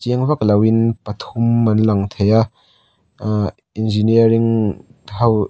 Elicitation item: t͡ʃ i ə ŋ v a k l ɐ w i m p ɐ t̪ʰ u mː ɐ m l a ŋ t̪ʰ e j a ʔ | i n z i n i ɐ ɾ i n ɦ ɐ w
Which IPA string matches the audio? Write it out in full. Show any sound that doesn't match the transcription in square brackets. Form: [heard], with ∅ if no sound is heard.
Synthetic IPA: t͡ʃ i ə ŋ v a k l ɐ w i [n] p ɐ t̪ʰ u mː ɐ [n] l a ŋ t̪ʰ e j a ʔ | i n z i n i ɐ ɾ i [ŋ] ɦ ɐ w